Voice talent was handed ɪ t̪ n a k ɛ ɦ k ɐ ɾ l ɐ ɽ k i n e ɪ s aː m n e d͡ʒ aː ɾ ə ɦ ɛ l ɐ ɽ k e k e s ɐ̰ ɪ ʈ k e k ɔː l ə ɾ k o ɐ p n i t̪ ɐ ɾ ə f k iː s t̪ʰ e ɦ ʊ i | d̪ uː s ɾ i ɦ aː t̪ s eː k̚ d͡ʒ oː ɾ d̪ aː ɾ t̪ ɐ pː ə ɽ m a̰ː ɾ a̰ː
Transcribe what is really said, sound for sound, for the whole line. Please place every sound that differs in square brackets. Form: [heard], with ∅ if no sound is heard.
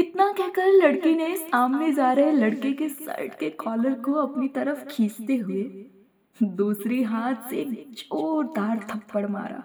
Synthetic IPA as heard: ɪ t̪ n a k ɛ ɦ k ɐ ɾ l ɐ ɽ k i n e ɪ s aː m n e d͡ʒ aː ɾ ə ɦ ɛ l ɐ ɽ k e k e s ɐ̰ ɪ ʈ k e k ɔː l ə ɾ k o ɐ p n i t̪ ɐ ɾ ə f [kʰ] iː s [t̪] e ɦ ʊ [e] | d̪ uː s ɾ i ɦ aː t̪ s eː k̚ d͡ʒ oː ɾ d̪ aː ɾ [t̪ʰ] ɐ pː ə ɽ m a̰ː ɾ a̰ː